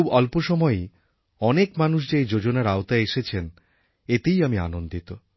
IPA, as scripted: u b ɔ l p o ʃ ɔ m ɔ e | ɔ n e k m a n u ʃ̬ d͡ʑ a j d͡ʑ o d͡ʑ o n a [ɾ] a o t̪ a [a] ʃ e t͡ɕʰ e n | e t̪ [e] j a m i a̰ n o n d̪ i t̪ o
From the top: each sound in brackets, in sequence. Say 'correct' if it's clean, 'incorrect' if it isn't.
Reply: correct, incorrect, correct

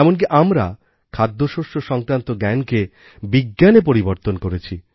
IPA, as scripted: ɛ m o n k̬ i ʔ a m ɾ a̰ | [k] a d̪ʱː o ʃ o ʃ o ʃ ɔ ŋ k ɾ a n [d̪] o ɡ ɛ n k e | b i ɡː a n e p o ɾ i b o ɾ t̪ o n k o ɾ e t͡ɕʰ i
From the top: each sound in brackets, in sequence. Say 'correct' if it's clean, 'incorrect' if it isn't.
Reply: incorrect, incorrect

